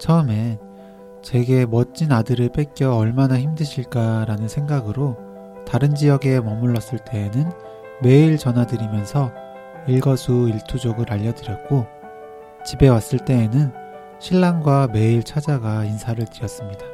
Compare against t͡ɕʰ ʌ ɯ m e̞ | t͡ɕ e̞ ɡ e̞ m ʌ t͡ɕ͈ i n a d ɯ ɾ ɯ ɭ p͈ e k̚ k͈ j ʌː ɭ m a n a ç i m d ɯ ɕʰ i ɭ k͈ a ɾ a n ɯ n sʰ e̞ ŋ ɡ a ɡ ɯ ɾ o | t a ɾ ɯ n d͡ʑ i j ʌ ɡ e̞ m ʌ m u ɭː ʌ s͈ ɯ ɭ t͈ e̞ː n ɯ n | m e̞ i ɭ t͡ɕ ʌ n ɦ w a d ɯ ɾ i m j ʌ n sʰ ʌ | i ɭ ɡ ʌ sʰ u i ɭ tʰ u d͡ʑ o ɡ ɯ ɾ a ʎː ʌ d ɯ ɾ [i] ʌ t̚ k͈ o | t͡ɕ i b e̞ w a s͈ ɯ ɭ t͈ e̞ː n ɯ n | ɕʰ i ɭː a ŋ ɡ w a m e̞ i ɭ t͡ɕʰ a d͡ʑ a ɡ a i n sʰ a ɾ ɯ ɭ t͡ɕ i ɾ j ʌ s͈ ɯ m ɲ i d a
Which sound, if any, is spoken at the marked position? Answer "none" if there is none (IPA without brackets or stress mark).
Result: j